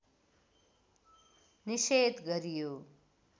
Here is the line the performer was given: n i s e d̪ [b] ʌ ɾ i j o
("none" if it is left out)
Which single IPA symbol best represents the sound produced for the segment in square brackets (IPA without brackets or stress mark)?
ɡ